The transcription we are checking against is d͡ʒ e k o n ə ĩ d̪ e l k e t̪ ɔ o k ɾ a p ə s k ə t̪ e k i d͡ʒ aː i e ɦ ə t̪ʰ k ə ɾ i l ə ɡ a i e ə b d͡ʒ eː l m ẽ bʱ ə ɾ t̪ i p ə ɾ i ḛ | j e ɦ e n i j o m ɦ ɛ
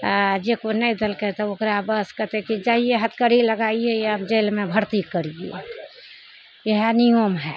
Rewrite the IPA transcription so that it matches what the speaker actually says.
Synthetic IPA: d͡ʒ e k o n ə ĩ d̪ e l k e t̪ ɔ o k ɾ a b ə s k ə t̪ e k i d͡ʒ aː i e ɦ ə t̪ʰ k ə ɾ i l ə ɡ a i e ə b d͡ʒ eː l m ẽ bʱ ə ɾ t̪ i k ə ɾ i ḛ | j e ɦ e n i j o m ɦ ɛ